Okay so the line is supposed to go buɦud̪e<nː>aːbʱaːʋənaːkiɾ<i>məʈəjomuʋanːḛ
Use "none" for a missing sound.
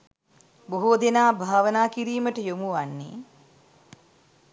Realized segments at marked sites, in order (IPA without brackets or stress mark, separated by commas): n, iː